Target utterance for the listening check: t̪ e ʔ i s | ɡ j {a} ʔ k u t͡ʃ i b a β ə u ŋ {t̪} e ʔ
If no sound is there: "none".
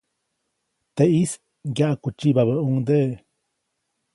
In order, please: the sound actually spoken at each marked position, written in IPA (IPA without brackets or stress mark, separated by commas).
a, d̪